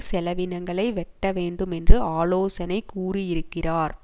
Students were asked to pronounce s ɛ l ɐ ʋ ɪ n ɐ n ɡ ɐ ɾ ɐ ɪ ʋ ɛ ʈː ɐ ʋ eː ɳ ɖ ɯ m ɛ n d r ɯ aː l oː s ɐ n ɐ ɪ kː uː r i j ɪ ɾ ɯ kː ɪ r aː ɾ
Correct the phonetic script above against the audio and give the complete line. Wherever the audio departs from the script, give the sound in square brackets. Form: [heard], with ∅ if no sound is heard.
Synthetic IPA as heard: s ɛ l ɐ ʋ ɪ n ɐ [ŋ] ɡ ɐ [ɭ] ɐ ɪ ʋ ɛ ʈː ɐ ʋ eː ɳ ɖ ɯ m ɛ n d r ɯ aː l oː s ɐ n ɐ ɪ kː uː r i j ɪ ɾ ɯ kː ɪ r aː ɾ